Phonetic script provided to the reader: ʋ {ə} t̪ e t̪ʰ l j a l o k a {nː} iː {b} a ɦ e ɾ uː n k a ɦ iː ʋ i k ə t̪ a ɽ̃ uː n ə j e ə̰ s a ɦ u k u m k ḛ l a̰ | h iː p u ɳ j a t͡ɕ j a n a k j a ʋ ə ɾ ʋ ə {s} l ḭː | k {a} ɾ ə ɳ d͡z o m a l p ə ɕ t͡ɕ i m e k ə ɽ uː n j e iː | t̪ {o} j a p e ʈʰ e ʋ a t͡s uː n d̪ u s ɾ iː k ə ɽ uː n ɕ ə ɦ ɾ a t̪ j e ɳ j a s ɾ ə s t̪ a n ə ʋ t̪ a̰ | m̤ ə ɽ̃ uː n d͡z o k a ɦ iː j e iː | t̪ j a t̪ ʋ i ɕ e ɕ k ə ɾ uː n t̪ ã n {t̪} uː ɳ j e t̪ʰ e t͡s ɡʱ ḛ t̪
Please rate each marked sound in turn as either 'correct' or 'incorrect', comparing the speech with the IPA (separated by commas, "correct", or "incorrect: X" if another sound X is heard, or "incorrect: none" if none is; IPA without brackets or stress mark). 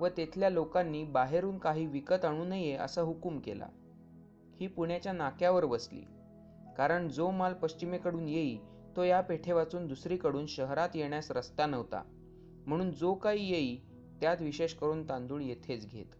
correct, correct, correct, correct, correct, correct, incorrect: d̪